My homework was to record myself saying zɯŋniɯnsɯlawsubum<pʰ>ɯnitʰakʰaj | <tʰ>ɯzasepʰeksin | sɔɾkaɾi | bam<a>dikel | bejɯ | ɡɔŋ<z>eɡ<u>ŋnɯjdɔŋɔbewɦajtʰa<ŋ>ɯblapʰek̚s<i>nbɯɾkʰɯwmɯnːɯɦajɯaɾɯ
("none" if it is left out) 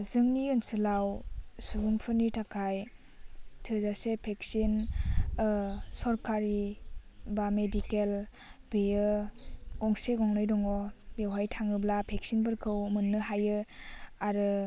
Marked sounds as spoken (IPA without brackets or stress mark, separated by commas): pʰ, tʰ, e, s, ɔ, ŋ, i